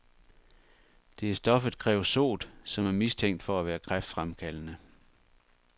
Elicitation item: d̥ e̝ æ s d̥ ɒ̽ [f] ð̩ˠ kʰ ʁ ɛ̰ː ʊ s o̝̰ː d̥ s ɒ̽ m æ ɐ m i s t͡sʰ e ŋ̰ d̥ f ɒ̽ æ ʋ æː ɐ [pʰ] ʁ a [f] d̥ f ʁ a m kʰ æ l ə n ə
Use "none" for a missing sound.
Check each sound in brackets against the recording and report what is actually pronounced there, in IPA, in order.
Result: f, kʰ, f

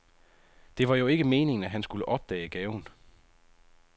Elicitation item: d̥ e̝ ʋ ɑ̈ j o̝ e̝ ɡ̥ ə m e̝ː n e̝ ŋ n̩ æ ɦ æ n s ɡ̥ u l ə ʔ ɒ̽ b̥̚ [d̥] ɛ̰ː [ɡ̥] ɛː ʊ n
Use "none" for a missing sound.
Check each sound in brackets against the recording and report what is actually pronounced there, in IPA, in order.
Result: d̥, ɡ̥

